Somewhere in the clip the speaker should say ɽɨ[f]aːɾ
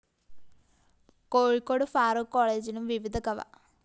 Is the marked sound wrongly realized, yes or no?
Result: no